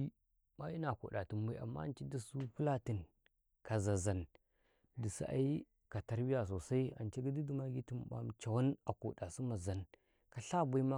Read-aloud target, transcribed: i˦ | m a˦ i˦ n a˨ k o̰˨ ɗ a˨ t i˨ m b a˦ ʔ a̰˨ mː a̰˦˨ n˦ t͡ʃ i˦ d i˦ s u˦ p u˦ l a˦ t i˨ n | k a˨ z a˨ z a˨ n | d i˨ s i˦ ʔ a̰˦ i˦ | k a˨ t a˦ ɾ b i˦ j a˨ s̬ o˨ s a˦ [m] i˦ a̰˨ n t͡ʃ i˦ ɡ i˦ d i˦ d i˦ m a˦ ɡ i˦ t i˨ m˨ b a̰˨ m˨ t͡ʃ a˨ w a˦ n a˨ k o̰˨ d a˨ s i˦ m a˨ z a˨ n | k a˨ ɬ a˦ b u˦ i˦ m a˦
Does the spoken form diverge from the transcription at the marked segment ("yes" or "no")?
yes